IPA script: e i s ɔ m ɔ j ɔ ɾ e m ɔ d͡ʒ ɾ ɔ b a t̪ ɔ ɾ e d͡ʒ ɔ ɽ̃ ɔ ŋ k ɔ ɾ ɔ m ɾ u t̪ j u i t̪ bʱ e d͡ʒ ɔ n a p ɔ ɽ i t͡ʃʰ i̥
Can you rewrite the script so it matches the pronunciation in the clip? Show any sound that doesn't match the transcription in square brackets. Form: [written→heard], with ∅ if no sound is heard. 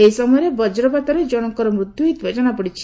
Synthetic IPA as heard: e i s ɔ m ɔ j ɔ ɾ e [m→b] ɔ d͡ʒ ɾ ɔ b a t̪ ɔ ɾ e d͡ʒ ɔ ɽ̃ ɔ ŋ k ɔ ɾ ɔ m ɾ u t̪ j u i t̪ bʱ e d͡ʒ ɔ n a p ɔ ɽ i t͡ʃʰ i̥